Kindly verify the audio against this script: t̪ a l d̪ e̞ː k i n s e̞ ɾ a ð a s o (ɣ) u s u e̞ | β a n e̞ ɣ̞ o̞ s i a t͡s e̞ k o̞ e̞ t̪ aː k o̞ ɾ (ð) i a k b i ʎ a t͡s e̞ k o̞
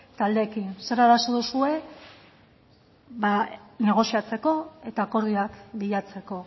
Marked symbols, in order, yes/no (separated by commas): no, yes